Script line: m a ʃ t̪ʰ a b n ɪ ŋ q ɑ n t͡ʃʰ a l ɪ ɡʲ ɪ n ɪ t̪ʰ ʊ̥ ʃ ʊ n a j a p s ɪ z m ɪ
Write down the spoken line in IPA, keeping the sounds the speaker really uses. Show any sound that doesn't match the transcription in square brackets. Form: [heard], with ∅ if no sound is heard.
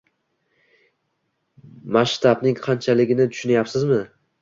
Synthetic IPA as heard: m a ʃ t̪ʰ a b n ɪ ŋ [qʰ] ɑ n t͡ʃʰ a l ɪ ɡʲ ɪ n ɪ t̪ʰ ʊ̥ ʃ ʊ n a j a p s ɪ z m ɪ